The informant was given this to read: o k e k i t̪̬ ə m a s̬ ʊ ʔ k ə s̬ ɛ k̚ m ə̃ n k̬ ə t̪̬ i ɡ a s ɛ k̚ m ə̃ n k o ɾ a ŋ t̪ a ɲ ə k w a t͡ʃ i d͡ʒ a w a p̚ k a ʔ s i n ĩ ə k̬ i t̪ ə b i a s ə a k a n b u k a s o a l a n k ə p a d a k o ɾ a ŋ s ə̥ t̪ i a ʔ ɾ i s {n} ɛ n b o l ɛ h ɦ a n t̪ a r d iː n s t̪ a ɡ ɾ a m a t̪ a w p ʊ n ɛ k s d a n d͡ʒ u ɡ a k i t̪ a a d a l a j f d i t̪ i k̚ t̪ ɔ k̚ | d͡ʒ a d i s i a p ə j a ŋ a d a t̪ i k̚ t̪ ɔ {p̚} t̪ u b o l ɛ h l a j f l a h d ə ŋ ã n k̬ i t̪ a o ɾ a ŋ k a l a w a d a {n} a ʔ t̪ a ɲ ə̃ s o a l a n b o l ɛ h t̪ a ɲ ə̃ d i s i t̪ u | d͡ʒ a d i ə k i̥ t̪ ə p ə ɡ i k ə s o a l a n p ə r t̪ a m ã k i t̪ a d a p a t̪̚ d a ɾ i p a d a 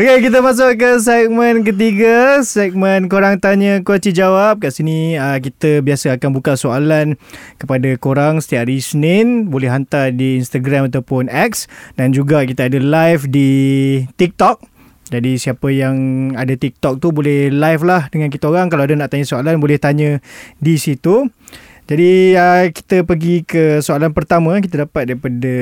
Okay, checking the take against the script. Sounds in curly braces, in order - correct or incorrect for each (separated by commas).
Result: correct, incorrect, correct